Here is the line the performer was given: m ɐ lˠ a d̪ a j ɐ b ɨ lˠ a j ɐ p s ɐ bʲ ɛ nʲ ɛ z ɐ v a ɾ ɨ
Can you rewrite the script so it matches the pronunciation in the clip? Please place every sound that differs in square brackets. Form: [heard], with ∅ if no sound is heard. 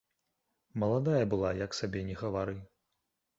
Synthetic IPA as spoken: m ɐ lˠ a d̪ a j ɐ b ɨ lˠ a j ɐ [k] s [a] bʲ ɛ nʲ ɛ [ɣ] ɐ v a ɾ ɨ